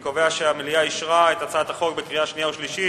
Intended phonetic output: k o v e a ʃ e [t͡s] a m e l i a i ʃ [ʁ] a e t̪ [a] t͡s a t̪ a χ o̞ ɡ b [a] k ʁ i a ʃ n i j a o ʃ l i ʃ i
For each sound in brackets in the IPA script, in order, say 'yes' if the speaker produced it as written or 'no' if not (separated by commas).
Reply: no, yes, yes, no